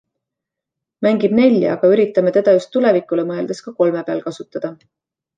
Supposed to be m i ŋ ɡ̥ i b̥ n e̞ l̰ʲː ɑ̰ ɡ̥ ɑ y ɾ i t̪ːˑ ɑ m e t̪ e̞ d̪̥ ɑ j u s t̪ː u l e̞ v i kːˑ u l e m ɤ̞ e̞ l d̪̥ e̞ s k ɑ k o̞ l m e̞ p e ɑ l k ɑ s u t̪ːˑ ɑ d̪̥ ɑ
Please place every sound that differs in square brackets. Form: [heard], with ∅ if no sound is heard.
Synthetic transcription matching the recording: m [æ] ŋ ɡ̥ i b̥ n e̞ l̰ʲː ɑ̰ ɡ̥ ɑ y ɾ i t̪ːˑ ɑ m e t̪ e̞ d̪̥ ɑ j u s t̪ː u l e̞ v i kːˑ u l e m ɤ̞ e̞ l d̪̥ e̞ s k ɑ k o̞ l m e̞ p e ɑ l k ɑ s u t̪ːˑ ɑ d̪̥ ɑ